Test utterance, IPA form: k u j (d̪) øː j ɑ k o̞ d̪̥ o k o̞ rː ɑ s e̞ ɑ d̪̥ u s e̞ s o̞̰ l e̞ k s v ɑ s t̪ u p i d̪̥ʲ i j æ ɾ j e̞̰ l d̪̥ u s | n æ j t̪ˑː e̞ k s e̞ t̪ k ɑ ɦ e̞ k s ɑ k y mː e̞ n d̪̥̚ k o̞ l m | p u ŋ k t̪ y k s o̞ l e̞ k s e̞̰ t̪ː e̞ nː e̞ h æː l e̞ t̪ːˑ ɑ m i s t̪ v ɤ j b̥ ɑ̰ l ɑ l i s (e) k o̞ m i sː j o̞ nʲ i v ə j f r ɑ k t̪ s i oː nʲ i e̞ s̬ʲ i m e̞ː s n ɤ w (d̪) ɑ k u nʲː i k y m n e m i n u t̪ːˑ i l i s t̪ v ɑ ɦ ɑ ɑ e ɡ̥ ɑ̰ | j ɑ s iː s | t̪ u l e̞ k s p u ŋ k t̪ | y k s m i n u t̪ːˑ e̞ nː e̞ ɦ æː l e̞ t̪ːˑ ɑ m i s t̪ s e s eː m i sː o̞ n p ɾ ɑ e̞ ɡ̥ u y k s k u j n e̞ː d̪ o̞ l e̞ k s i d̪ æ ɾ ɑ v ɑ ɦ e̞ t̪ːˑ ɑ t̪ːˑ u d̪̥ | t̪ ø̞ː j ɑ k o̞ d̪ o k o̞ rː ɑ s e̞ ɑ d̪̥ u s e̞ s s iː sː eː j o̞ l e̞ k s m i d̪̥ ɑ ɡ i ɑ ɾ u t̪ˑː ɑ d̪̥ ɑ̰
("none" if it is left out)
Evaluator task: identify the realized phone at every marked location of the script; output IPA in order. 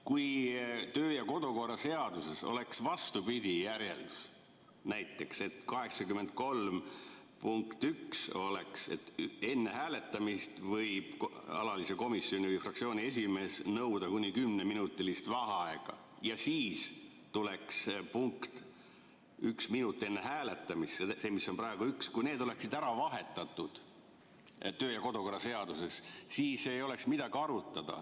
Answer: t̪, e, d̪

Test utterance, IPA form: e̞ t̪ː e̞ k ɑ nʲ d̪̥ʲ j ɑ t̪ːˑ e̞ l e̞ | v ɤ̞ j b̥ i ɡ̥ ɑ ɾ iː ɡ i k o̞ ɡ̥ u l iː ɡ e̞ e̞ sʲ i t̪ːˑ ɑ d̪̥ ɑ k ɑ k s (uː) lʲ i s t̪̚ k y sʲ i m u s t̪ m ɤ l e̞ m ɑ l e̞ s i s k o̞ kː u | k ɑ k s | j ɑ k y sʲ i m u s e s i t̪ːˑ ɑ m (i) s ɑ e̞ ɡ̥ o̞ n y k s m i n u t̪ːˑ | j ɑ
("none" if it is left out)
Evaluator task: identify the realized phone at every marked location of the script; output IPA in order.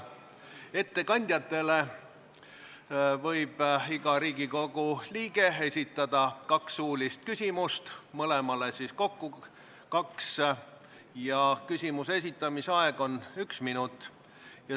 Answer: uː, i

